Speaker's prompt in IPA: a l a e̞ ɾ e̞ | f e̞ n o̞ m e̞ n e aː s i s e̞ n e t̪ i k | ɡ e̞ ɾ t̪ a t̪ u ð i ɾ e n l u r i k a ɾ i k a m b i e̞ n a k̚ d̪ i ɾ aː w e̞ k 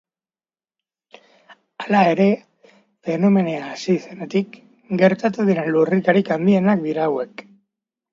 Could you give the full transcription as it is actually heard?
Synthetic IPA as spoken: a l a e̞ ɾ e̞ | f e̞ n o̞ m e̞ n e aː s i s e̞ n e t̪ i k | ɡ e̞ ɾ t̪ a t̪ u ð i ɾ e n l u r i k a ɾ i k a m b i e̞ n a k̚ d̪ i ɾ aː w e̞ k